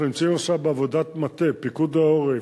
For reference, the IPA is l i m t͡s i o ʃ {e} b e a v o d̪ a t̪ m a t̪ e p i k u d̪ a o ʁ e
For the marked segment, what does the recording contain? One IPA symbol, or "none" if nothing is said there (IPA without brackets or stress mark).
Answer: a